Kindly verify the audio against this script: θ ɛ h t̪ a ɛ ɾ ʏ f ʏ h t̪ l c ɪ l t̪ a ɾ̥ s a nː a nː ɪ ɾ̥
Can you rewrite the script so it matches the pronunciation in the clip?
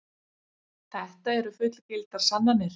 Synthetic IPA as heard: θ ɛ h t̪ a ɛ ɾ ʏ f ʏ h t̪ l c ɪ l t̪ a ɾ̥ s a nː a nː ɪ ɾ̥

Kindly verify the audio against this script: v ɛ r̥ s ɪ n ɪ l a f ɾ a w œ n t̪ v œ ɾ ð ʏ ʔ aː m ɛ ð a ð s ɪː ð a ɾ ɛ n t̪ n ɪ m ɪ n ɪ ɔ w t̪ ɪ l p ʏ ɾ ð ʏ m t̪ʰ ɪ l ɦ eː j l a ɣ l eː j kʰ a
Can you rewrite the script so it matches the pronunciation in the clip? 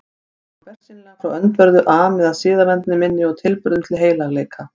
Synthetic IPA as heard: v ɛ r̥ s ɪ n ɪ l a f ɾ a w œ n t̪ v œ ɾ ð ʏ ʔ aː m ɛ ð a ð s ɪː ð a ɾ ɛ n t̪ n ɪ m ɪ nː ɪ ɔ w t̪ʰ ɪ l p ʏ ɾ ð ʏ m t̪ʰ ɪ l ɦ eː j l a ɣ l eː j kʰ a

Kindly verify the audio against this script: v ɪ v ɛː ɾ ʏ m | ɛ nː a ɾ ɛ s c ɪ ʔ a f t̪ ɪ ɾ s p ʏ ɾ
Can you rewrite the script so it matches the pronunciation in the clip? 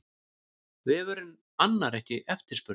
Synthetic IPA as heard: v ɪ v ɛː ɾ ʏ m | a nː a ɾ ɛ h c ɪ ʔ ɛ f t̪ ɪ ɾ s p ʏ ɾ

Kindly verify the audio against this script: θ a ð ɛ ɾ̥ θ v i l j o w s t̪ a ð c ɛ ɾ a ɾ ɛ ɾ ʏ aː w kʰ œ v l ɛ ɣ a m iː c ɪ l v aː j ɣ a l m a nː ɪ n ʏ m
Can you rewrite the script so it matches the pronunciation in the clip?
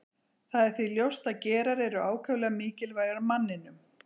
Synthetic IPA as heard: θ a ð ɛ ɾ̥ θ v i l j o w s t̪ a ð c ɛː ɾ a ɾ ɛ ɾ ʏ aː w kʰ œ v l ɛ ɣ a m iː c ɪ l v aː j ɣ a ɾ m a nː ɪ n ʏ m

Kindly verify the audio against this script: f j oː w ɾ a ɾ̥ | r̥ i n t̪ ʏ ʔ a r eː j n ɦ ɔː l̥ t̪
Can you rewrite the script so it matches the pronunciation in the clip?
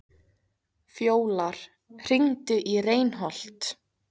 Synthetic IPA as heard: f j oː w l a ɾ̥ | r̥ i ŋ t̪ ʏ ʔ i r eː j n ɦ ɔ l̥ t̪

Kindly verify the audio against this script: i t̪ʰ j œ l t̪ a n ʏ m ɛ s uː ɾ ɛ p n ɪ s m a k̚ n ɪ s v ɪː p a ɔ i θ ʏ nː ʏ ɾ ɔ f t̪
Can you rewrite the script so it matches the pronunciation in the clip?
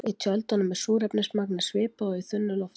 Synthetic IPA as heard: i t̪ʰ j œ l t̪ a n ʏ m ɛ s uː ɾ ɛ p n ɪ s m a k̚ n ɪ s v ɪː p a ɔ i θ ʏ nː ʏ l ɔ f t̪

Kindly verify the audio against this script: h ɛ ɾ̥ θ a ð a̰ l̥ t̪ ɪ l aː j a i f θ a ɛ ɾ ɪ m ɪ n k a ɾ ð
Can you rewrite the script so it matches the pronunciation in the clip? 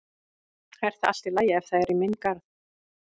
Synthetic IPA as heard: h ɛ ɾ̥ θ a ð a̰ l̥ t̪ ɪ l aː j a ɛ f θ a ɛ ɾ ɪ m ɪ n k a ɾ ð

